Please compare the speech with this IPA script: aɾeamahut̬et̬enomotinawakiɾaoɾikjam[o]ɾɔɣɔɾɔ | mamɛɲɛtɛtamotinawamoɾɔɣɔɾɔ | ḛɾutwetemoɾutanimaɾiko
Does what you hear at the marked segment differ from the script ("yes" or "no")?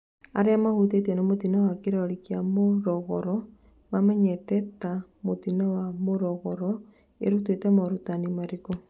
no